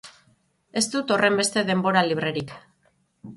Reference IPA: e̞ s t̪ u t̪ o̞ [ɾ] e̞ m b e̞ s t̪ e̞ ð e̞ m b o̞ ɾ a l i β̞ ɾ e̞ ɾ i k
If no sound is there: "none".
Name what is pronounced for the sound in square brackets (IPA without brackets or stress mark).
r